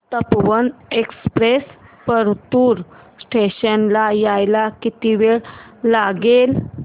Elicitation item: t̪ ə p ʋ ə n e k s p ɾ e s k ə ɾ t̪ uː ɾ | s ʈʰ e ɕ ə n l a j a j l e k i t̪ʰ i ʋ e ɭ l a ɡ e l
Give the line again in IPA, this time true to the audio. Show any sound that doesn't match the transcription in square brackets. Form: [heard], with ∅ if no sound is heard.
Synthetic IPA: t̪ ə p ʋ ə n e k s p ɾ e s [p] ə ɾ t̪ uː ɾ | s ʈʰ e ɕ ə n l a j a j l [a] k i [t̪] i ʋ e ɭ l a ɡ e l